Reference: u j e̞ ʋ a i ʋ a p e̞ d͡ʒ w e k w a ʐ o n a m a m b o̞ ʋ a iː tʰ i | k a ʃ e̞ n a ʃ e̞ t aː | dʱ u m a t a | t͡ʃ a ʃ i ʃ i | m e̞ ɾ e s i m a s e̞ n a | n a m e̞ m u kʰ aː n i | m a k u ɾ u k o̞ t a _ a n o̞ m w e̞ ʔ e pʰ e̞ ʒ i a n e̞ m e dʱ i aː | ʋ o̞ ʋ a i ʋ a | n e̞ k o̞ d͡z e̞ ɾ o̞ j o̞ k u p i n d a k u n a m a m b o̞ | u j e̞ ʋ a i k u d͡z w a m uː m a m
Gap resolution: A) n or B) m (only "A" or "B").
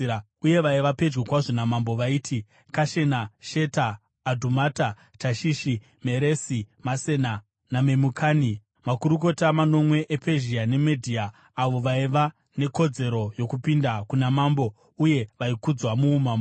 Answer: B